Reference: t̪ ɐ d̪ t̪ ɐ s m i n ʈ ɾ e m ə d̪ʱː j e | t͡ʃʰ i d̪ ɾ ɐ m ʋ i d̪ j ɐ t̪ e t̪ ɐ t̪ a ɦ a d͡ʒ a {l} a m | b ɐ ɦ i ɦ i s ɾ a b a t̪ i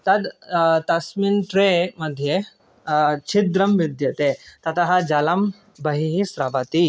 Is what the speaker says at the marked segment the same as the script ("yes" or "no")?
yes